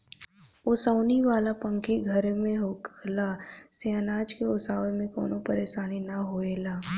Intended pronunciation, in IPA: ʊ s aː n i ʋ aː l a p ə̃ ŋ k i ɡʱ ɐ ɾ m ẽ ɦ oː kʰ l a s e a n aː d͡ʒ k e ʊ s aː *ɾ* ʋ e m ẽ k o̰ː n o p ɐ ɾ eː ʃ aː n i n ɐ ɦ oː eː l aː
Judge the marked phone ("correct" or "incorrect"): incorrect